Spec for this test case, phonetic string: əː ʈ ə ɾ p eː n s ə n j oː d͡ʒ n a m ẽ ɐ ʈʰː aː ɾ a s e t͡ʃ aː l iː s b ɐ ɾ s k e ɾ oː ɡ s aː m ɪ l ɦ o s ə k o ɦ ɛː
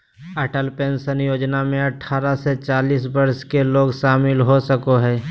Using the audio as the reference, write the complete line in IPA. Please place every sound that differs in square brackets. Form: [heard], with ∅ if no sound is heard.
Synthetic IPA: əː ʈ ə [l] p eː n s ə n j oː d͡ʒ n a m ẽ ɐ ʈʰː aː ɾ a s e t͡ʃ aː l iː s b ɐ ɾ s k e [l] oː ɡ [ʃ] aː m ɪ l ɦ o s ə k o ɦ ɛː